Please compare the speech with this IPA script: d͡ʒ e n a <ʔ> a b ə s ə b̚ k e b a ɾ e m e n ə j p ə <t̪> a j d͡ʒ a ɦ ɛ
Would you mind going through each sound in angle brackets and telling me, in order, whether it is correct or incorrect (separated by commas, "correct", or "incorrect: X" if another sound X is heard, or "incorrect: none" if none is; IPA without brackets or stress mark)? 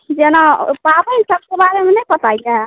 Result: incorrect: p, correct